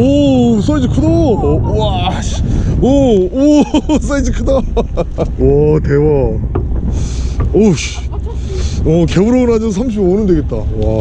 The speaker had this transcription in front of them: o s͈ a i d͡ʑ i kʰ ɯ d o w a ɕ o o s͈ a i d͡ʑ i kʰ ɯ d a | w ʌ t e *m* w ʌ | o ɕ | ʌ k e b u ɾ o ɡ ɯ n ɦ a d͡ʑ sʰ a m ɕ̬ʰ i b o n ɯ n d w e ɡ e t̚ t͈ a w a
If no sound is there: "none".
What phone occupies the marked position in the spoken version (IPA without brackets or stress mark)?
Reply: none